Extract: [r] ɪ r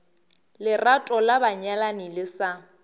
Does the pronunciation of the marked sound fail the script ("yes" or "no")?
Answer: yes